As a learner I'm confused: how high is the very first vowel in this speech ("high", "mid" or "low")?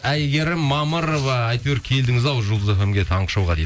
low